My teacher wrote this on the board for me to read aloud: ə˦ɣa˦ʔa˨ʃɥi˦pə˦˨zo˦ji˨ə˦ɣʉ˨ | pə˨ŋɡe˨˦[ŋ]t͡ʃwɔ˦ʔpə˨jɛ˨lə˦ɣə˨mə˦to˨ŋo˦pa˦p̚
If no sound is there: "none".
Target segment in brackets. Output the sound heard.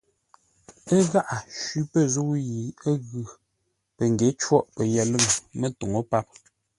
none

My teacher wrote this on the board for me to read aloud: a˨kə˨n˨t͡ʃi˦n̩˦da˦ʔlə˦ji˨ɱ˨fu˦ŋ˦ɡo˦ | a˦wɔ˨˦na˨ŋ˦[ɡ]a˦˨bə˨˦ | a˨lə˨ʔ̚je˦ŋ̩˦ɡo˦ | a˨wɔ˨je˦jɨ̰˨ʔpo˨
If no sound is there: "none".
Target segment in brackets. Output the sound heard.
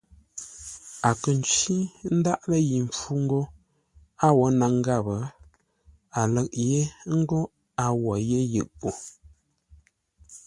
ɡ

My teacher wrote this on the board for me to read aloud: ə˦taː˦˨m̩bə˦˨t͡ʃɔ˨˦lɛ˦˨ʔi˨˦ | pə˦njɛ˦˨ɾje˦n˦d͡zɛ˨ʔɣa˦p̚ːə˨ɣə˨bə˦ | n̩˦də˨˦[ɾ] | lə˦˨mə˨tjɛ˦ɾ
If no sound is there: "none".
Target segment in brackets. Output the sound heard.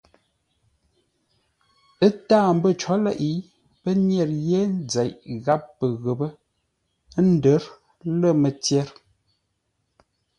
ɾ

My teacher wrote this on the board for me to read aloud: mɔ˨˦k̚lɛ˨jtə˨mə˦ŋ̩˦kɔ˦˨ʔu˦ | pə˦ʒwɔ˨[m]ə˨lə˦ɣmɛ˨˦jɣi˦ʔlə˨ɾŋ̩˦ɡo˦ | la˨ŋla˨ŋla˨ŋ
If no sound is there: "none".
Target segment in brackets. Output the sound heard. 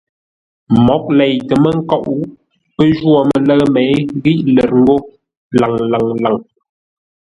m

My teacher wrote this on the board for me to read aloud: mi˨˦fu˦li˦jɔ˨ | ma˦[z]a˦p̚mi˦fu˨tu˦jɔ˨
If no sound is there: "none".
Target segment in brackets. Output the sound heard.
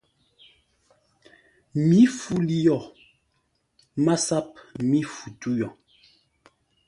s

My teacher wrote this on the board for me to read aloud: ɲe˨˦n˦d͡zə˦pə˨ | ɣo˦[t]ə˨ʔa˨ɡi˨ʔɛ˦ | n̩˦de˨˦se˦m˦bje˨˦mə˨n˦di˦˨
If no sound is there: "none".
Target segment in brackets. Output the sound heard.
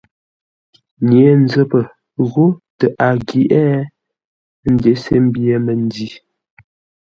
t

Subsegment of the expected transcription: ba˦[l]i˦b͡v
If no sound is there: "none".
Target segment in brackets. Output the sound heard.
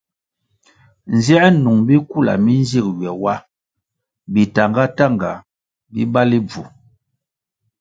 l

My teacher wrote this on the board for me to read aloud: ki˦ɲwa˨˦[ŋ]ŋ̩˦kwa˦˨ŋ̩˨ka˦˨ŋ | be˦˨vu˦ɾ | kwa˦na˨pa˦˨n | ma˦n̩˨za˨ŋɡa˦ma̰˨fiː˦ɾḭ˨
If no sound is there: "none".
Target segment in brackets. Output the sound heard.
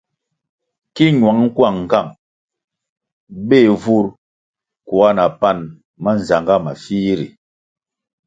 ŋ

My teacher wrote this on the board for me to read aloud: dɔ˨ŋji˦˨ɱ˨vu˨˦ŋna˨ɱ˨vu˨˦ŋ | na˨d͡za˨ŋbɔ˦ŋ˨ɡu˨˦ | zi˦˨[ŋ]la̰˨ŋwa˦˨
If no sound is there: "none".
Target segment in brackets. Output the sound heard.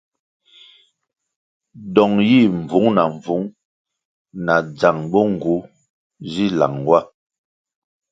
none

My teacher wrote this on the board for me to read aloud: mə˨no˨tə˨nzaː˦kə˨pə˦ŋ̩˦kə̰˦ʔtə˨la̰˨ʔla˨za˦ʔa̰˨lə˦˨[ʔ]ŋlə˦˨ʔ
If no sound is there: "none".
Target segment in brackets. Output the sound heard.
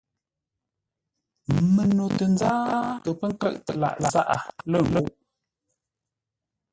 none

